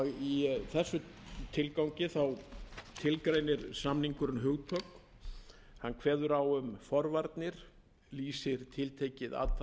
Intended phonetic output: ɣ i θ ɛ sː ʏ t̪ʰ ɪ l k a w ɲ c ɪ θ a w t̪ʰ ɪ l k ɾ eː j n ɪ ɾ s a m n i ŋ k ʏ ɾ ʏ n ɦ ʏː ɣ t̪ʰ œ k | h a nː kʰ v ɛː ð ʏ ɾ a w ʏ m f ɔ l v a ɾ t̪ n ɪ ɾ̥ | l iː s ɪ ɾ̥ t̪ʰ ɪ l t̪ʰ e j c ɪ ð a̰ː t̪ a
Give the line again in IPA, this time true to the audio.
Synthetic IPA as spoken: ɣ i θ ɛ sː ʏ t̪ʰ ɪ l k a w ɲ c ɪ θ a w t̪ʰ ɪ l k ɾ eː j n ɪ ɾ s a m n i ŋ k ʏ ɾ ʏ n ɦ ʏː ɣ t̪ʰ œ k | h a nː kʰ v ɛː ð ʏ ɾ a w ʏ m f ɔ ɾ v a ɾ t̪ n ɪ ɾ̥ | l iː s ɪ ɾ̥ t̪ʰ ɪ l t̪ʰ e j c ɪ ð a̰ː t̪ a